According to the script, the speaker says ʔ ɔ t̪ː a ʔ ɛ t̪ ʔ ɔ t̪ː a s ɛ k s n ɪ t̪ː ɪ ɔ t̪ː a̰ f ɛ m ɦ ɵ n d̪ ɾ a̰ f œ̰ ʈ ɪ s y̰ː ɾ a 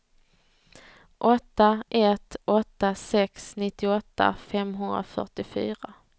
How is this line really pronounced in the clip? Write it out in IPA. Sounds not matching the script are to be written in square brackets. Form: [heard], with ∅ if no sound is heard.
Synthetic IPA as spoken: ʔ ɔ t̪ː a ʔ ɛ t̪ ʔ ɔ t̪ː a s ɛ k s n ɪ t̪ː ɪ ɔ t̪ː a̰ f ɛ m ɦ ɵ n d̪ ɾ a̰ f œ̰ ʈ ɪ [f] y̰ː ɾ a